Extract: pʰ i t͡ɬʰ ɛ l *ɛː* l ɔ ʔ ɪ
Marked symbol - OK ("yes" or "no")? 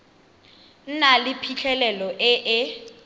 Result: no